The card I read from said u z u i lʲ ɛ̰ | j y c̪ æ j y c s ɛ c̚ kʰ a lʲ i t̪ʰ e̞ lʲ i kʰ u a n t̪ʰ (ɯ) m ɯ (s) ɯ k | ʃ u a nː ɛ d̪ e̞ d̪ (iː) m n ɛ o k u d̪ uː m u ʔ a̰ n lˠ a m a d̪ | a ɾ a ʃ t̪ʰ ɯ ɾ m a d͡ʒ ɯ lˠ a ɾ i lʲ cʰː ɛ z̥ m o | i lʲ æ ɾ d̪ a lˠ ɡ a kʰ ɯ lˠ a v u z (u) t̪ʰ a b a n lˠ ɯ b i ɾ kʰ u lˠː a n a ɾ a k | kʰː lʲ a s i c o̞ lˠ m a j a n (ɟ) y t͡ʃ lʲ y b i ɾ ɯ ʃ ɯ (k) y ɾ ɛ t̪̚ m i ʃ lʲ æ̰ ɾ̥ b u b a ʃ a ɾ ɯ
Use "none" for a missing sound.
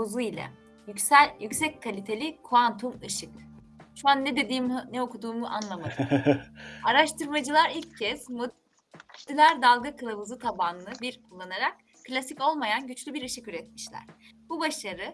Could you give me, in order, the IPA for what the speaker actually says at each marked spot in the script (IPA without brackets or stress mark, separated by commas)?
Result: u, ʃ, iː, ɯ, ɟ, k